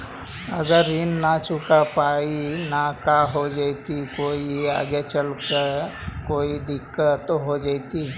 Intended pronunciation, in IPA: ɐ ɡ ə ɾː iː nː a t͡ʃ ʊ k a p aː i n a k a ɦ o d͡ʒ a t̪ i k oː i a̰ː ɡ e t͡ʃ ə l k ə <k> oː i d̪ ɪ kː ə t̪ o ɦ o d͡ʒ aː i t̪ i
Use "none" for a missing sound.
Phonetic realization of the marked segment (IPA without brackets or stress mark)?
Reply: k